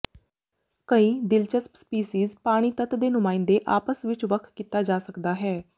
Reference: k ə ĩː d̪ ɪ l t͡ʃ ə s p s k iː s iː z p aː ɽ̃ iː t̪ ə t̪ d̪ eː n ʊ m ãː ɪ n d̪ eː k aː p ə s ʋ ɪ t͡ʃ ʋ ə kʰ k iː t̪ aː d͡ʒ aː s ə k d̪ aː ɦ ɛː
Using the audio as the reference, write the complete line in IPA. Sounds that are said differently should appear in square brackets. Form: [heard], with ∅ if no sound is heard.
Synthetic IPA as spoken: k ə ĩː d̪ ɪ l t͡ʃ ə s p s [p] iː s iː z p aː ɽ̃ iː t̪ ə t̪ d̪ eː n ʊ m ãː ɪ n d̪ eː [ʔ] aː p ə s ʋ ɪ t͡ʃ ʋ ə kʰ k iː t̪ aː d͡ʒ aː s ə k d̪ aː ɦ ɛː